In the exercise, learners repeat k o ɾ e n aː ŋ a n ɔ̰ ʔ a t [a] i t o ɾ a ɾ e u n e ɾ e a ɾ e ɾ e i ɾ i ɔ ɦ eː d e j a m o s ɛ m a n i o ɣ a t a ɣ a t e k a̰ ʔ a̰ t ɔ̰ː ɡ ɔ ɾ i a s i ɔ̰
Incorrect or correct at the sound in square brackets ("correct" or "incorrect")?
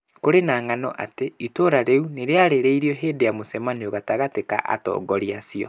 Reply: incorrect